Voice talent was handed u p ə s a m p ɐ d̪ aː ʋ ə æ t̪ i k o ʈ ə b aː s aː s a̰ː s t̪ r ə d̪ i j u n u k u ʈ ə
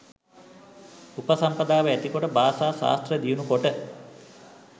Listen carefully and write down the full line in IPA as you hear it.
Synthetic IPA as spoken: u p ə s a m p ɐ d̪ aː ʋ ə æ t̪ i k o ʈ ə b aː s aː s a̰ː s t̪ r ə d̪ i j u n u k o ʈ ə